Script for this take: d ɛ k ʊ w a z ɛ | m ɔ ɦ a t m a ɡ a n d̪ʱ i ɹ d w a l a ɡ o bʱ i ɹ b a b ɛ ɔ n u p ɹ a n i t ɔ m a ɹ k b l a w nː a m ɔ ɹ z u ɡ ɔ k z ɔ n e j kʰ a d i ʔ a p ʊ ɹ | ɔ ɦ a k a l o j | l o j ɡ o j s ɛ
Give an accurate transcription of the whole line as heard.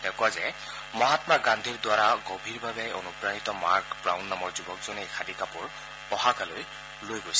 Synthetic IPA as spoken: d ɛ k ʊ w a z ɛ | m ɔ ɦ a t m a ɡ a n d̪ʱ i ɹ d w a ɹ a ɡ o bʱ i ɹ b a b ɛ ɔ n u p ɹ a n i t ɔ m a ɹ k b ɹ a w nː a m ɔ ɹ z u b ɔ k z ɔ n e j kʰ a d i k a p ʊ ɹ | ɔ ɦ a k a l o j | l o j ɡ o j s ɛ